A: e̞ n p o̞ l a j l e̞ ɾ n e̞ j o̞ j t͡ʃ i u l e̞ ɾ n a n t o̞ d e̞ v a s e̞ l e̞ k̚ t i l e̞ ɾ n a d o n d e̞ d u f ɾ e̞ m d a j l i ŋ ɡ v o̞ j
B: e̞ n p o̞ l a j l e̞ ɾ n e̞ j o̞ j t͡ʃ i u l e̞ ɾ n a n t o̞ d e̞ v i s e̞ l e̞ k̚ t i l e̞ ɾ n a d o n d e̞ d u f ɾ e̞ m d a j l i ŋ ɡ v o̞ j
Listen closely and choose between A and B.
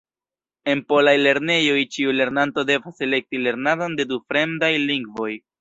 A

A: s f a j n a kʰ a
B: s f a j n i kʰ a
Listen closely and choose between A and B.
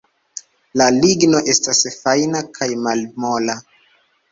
A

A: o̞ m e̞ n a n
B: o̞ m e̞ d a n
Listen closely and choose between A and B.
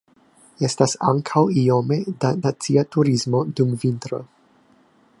B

